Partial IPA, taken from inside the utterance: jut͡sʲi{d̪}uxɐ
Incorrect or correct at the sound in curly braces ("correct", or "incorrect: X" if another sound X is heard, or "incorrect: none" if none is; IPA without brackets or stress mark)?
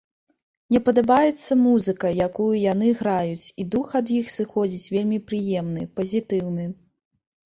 correct